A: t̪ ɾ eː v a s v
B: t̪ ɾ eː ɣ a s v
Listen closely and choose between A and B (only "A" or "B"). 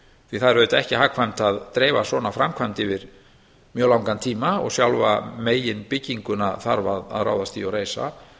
A